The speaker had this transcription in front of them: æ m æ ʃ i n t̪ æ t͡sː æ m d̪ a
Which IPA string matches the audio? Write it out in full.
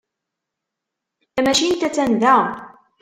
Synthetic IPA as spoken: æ m æ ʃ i n t̪ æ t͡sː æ n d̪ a